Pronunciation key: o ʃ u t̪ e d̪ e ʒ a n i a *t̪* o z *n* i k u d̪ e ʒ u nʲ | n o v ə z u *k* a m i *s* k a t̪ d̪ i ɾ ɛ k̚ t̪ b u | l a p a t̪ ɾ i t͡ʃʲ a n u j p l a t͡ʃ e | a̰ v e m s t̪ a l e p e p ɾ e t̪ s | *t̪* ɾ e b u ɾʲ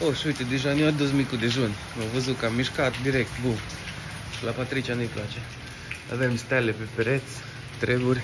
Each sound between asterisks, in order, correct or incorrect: incorrect: d̪, incorrect: m, correct, incorrect: ʃ, correct

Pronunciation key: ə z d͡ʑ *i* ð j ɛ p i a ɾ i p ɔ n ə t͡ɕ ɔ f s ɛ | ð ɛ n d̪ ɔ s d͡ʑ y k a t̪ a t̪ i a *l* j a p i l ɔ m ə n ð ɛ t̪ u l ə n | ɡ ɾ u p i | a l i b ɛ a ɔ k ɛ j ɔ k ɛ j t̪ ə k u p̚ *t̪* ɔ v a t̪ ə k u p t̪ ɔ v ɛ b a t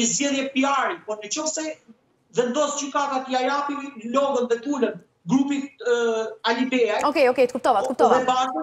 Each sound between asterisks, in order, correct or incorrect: incorrect: ɛ, incorrect: none, correct

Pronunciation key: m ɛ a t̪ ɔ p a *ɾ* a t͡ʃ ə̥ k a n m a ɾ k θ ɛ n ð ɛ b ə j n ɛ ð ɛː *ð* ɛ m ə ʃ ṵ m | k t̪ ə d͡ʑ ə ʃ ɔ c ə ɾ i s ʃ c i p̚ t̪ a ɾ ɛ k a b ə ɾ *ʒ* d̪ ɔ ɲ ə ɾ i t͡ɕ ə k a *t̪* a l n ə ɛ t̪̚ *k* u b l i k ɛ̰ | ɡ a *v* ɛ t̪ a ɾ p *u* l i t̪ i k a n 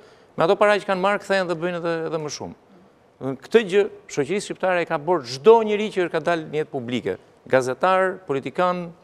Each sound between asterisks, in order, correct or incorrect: correct, correct, correct, incorrect: d̪, incorrect: p, incorrect: z, incorrect: ɔ

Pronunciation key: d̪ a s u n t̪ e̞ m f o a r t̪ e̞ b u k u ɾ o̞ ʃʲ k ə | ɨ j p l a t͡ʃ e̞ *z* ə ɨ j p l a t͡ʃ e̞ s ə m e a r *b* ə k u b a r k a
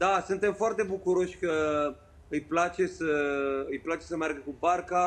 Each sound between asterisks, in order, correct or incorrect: incorrect: s, incorrect: ɡ

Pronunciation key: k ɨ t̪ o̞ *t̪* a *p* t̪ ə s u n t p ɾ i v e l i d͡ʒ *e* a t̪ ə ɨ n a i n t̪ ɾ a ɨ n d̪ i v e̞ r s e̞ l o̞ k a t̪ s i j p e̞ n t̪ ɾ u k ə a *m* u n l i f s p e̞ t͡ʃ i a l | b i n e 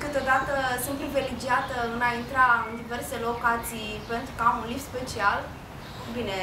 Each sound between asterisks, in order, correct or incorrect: incorrect: d̪, incorrect: none, incorrect: i, correct

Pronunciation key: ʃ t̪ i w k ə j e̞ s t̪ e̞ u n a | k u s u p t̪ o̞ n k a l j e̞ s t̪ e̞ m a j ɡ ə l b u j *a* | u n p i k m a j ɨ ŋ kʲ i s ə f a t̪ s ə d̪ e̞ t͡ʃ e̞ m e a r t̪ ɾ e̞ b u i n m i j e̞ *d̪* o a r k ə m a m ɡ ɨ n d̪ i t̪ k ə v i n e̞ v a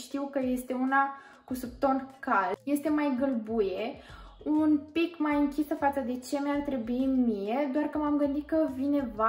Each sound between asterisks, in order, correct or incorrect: incorrect: e, correct

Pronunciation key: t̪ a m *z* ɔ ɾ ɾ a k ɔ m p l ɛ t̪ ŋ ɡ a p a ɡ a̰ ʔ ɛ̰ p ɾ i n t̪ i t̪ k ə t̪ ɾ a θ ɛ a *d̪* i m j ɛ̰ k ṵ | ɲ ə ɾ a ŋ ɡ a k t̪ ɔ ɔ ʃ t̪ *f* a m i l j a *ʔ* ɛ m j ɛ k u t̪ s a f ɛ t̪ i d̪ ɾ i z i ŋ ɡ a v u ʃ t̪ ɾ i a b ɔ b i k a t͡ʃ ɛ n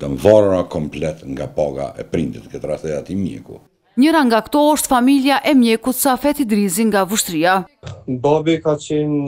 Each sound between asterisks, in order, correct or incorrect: incorrect: v, incorrect: t̪, correct, correct

